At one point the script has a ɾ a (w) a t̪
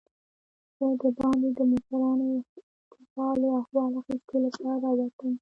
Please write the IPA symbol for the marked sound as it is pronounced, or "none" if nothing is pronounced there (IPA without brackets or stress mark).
w